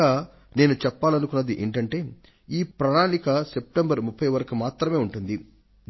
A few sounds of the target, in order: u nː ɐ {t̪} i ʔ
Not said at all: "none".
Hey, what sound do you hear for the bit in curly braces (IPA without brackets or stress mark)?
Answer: d̪